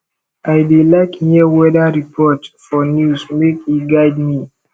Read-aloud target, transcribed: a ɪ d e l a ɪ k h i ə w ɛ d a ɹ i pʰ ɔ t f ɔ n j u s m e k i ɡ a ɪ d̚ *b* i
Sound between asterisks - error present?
yes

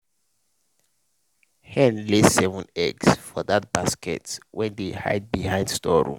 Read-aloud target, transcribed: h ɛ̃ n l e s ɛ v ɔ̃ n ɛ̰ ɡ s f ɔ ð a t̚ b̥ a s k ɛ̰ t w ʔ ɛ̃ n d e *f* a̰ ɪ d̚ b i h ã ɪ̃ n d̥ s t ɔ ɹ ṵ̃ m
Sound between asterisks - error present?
yes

